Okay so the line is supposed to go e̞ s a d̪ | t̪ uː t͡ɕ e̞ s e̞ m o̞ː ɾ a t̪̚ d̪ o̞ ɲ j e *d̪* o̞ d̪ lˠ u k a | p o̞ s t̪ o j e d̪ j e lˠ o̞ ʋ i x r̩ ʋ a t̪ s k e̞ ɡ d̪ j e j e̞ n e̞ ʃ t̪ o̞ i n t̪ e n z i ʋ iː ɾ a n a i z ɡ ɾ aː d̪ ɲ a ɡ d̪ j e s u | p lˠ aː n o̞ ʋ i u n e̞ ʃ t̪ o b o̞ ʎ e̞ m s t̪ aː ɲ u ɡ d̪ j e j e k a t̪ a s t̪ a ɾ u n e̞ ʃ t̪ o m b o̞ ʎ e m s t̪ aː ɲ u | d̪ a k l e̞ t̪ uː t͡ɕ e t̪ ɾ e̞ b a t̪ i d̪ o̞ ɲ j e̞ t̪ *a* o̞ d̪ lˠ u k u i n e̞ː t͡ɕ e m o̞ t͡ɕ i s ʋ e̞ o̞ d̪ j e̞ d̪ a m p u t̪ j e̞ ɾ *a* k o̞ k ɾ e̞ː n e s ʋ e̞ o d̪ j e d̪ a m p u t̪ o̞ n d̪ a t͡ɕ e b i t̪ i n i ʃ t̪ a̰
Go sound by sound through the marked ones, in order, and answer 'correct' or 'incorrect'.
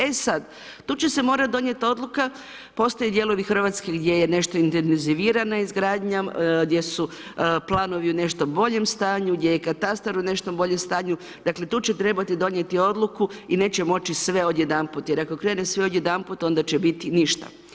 incorrect: t̪, incorrect: i, correct

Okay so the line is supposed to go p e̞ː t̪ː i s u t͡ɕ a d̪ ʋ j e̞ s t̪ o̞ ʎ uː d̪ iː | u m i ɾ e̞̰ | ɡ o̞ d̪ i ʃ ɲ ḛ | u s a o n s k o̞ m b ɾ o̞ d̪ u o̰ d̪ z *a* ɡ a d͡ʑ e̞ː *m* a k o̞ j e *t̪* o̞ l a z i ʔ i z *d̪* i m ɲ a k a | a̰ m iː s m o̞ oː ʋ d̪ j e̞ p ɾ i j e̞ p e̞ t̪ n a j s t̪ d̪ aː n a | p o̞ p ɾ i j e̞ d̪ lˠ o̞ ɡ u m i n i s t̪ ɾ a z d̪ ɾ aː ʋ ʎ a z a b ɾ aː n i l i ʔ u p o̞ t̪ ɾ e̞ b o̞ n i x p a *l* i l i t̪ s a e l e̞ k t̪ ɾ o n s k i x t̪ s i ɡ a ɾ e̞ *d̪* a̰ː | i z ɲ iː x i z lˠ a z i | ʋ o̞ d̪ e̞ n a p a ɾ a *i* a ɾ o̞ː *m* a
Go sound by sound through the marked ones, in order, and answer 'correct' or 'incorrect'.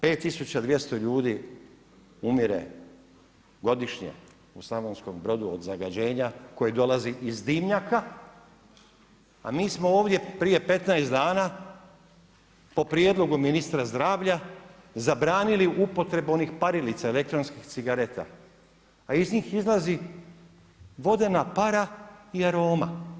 correct, incorrect: ɲ, incorrect: d̪, correct, incorrect: ɾ, incorrect: t̪, correct, correct

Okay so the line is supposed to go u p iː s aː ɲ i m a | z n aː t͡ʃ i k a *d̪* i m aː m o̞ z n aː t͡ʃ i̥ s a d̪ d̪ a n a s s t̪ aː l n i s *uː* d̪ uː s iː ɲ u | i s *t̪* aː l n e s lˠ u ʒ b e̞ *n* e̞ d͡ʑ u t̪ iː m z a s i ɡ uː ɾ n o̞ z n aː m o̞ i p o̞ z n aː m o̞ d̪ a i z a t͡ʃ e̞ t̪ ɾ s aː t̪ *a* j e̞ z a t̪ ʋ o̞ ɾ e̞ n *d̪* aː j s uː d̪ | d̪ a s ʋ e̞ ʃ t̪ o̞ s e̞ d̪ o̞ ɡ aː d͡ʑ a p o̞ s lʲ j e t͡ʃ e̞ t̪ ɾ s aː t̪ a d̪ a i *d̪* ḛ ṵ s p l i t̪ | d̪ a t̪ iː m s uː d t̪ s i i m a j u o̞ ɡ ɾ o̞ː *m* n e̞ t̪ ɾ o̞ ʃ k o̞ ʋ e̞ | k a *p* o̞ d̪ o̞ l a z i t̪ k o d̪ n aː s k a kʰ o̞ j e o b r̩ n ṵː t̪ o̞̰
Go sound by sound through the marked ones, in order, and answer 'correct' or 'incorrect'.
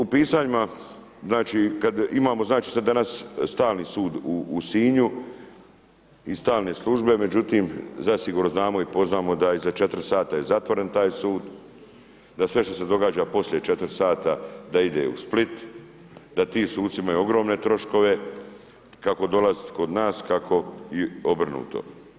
correct, correct, correct, incorrect: m, correct, incorrect: t̪, correct, correct, incorrect: k

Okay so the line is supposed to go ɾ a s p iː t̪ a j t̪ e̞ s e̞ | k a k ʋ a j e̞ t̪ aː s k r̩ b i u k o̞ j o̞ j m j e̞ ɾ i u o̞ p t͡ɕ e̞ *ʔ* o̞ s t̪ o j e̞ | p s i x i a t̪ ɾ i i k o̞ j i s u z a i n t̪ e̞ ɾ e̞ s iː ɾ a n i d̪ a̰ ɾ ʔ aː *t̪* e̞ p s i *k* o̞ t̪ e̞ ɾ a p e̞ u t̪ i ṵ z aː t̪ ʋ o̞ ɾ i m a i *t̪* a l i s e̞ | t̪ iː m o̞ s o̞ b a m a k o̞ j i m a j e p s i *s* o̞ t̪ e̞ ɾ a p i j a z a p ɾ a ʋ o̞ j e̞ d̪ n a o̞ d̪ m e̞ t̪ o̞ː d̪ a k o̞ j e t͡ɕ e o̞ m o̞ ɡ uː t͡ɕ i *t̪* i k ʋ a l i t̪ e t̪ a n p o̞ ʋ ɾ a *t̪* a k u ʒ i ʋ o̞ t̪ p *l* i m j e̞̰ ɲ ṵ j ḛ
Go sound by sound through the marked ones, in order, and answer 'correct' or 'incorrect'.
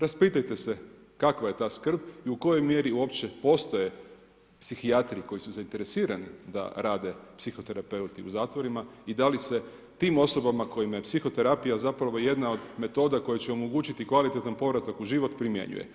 incorrect: p, incorrect: d̪, incorrect: x, incorrect: d̪, incorrect: x, correct, correct, incorrect: ɾ

